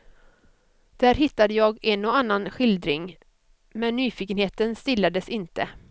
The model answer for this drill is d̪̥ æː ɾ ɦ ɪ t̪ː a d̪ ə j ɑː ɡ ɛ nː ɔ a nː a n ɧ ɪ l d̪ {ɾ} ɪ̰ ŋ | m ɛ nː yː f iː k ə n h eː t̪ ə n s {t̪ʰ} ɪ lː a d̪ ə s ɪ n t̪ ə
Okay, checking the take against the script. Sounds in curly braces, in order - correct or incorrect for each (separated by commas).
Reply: correct, incorrect